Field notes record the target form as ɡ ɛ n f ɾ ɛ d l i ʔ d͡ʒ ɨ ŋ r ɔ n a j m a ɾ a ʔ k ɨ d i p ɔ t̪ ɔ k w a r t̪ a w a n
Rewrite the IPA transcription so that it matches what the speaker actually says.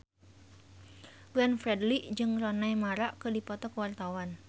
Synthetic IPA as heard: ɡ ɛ n f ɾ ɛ d l i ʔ d͡ʒ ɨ ŋ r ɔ n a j m a ɾ a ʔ k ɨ d i p ɔ t̪ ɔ k w a r t̪ a w a n